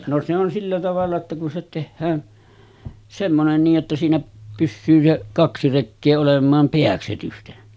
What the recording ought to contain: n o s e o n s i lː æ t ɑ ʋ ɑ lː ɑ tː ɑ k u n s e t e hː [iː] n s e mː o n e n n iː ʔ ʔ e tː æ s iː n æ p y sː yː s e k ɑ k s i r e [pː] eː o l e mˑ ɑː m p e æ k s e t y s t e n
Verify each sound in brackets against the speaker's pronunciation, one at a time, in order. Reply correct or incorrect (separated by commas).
incorrect, incorrect